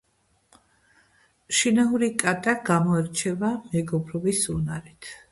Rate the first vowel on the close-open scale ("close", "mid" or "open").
close